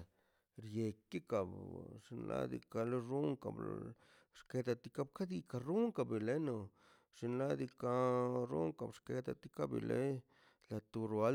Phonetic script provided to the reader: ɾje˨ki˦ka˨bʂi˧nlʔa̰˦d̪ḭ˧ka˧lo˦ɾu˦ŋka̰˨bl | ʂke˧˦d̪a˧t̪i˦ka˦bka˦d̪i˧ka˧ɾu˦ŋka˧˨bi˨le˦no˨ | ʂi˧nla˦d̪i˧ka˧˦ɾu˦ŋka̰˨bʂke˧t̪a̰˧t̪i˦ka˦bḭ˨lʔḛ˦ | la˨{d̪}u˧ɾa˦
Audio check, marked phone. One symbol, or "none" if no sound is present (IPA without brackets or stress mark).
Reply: t̪